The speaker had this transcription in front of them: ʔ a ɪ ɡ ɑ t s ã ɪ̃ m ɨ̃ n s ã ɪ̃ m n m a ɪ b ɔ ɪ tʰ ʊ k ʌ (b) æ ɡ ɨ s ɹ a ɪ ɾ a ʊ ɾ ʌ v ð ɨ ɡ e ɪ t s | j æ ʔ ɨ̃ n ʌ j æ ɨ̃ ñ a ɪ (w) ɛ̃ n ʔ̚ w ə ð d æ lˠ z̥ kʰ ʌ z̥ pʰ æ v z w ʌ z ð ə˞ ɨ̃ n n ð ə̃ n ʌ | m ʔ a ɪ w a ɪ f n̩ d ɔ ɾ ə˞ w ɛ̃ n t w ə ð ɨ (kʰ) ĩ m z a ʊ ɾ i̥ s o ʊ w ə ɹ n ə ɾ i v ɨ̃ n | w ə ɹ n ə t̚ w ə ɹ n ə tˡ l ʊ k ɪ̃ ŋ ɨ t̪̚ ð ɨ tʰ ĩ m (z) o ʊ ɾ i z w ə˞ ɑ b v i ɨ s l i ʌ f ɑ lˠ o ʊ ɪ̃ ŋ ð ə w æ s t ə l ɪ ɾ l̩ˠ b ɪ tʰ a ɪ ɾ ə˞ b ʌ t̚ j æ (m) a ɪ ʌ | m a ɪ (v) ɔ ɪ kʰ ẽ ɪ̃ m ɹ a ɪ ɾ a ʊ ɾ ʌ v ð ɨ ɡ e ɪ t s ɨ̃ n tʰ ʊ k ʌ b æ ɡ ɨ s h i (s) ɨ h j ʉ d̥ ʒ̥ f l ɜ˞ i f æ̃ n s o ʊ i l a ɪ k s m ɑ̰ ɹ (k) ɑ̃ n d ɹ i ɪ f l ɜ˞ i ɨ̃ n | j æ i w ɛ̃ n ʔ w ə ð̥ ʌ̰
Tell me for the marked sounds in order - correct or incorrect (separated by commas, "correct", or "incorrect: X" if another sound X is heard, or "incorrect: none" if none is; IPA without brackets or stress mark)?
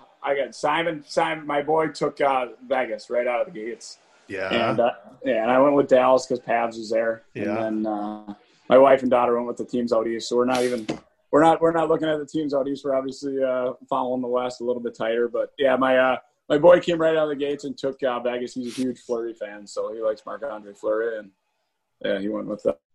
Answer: incorrect: v, correct, incorrect: tʰ, correct, correct, incorrect: b, incorrect: z, correct